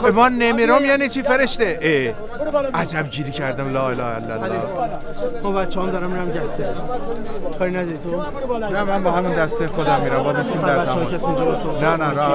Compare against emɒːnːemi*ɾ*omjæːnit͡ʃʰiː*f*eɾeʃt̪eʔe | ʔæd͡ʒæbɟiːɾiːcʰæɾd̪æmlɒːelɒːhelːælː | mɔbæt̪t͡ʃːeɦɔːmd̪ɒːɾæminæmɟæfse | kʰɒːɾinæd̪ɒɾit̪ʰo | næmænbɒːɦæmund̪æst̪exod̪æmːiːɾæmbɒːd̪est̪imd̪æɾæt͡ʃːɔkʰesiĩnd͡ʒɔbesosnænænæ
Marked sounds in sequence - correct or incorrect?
correct, correct

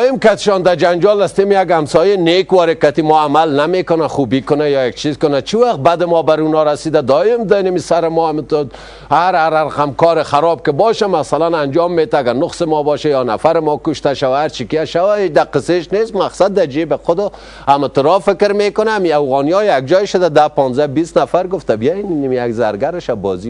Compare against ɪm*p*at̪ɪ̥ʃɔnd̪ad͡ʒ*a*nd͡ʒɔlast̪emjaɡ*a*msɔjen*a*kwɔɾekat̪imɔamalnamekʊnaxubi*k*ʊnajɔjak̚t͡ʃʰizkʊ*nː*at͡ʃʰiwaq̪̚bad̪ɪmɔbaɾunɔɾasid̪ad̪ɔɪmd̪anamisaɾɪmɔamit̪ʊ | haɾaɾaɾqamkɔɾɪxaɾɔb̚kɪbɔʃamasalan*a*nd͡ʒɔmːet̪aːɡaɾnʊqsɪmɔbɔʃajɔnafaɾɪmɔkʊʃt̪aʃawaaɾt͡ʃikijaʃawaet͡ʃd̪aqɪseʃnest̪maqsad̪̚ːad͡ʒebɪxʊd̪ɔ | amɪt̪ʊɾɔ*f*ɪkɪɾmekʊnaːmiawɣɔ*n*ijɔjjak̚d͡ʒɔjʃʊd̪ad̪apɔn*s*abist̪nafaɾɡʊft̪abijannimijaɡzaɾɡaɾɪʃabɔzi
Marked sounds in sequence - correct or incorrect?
incorrect, correct, correct, incorrect, correct, incorrect, correct, correct, correct, incorrect

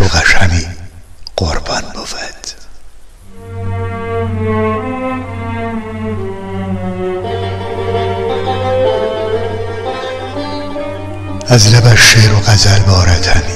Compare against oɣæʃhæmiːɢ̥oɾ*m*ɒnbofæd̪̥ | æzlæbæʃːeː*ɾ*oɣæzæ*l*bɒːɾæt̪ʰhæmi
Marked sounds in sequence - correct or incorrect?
incorrect, correct, correct

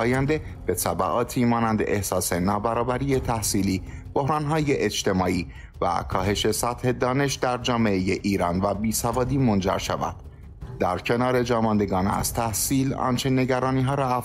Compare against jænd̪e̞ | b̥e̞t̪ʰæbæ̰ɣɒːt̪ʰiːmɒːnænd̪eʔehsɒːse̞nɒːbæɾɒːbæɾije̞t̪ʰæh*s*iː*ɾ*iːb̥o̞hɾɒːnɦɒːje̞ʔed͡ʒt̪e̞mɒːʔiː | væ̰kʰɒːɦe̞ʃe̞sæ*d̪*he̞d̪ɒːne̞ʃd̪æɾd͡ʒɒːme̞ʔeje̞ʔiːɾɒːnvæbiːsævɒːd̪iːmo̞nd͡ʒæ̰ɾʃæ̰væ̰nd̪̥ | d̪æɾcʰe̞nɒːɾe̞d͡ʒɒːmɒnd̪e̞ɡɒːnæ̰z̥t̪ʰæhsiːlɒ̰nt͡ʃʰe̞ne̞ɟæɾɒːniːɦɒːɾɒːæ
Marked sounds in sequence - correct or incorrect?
correct, incorrect, incorrect

